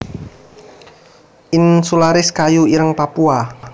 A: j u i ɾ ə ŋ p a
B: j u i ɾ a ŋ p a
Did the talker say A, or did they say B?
A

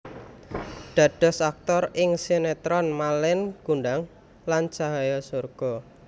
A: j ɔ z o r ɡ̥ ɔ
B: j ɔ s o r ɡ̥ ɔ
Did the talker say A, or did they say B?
B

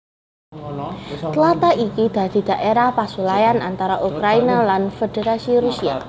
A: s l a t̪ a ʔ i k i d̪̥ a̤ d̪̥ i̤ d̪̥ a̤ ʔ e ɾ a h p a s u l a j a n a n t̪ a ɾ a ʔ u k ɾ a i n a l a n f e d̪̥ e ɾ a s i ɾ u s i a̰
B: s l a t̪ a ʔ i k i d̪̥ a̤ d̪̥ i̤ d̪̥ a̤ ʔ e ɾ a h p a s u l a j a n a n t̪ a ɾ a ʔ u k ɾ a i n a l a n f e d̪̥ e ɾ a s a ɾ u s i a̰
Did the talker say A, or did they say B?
A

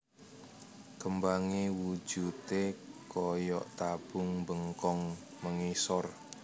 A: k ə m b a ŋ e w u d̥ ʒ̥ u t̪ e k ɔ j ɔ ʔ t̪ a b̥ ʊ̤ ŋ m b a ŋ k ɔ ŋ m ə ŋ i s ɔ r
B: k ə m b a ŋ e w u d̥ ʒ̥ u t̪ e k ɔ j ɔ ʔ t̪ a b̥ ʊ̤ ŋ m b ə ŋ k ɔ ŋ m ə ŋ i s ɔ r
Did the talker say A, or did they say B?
B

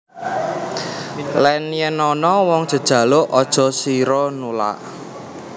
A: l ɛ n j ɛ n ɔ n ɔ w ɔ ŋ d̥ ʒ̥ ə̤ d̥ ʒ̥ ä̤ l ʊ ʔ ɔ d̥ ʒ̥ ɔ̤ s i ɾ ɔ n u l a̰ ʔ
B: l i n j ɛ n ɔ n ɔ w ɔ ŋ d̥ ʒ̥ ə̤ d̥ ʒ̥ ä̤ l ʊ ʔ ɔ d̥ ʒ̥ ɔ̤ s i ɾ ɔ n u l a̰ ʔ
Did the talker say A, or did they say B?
A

